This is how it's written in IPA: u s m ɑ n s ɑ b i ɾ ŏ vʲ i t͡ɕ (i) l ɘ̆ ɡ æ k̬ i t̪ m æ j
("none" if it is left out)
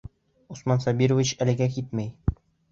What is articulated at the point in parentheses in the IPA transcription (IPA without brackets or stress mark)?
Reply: æ